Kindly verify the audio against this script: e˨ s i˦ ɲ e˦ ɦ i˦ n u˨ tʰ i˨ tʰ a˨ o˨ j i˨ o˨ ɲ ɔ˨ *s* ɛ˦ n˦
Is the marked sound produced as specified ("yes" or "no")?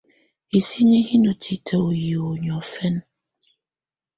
no